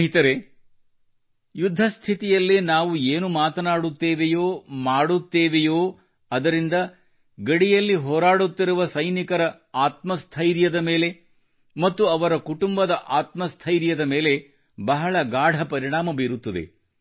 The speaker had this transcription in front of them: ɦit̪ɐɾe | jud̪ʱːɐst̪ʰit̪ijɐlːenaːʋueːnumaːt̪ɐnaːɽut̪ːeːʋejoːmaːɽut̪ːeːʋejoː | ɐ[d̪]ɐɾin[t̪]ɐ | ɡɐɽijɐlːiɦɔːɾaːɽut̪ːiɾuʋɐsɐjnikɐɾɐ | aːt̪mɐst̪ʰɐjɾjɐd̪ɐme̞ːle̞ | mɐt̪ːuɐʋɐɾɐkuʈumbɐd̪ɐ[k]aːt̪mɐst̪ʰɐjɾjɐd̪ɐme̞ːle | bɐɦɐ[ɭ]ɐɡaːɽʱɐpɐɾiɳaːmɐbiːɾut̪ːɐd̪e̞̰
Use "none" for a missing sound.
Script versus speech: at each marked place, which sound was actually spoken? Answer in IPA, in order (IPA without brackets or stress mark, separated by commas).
d̪, d̪, ʔ, ɭ